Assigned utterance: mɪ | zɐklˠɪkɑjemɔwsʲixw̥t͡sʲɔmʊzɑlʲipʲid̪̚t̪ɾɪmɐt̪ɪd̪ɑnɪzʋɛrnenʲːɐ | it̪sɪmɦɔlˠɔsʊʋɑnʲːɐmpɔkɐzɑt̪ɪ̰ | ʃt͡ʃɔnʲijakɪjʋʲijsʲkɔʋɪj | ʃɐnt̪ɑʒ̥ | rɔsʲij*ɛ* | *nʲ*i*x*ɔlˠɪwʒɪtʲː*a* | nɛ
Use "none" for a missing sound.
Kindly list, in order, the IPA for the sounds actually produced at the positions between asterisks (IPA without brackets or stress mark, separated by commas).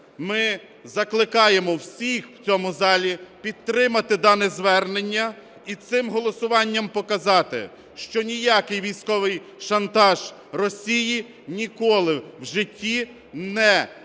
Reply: i, nʲ, k, i